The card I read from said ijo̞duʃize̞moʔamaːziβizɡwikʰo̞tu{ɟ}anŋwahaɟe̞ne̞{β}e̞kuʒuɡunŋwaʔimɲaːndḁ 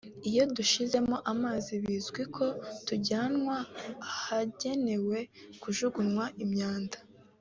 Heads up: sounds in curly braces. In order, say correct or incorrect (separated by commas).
correct, incorrect